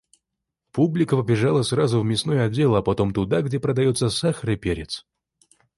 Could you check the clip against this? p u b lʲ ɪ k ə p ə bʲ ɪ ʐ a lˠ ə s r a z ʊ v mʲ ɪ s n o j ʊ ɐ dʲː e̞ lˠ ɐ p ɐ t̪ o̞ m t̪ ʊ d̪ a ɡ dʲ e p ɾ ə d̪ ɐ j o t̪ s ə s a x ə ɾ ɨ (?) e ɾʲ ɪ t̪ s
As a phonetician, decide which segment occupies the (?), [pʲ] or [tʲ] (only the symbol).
pʲ